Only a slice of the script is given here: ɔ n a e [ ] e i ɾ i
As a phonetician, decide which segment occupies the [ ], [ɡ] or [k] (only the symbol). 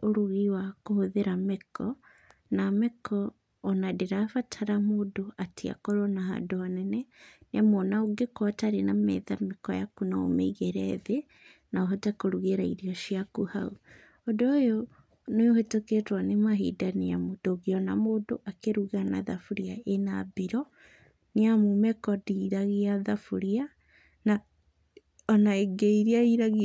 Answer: ɡ